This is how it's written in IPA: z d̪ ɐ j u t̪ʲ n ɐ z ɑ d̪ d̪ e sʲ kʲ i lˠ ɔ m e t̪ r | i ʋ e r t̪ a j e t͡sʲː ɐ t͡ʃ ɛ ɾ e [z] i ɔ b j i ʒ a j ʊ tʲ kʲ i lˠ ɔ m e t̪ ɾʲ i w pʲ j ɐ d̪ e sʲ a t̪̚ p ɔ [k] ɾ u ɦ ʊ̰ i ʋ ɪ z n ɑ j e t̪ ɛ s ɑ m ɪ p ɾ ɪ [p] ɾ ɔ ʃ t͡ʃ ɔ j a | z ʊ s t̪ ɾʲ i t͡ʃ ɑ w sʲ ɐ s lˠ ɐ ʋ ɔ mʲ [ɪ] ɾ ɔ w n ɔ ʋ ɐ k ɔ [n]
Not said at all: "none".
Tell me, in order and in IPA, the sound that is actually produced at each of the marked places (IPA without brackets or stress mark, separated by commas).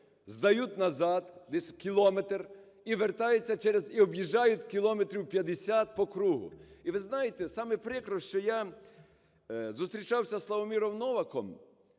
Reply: z, k, k, i, m